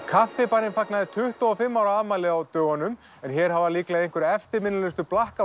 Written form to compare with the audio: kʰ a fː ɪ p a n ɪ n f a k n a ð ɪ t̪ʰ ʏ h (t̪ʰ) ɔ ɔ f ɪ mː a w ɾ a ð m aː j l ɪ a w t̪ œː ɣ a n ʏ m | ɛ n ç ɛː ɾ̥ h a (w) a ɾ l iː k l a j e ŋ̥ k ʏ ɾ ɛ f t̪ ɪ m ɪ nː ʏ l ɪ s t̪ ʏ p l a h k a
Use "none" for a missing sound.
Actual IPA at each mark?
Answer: t̪, v

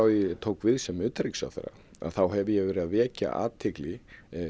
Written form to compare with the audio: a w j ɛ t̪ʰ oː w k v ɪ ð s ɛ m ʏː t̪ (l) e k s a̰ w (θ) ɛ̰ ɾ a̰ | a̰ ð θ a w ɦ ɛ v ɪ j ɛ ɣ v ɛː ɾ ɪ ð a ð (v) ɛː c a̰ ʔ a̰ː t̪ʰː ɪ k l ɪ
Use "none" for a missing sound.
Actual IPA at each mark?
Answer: ɾ, θ, v

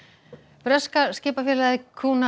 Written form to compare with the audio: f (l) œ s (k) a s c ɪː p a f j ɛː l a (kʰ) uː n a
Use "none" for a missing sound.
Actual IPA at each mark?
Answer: ɾ, k, kʰ

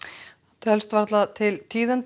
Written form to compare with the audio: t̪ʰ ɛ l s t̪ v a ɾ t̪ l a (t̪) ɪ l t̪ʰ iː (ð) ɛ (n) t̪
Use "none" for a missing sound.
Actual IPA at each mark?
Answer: t̪ʰ, ð, n

